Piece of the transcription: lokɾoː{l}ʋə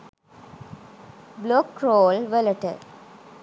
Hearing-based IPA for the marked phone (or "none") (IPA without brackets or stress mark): l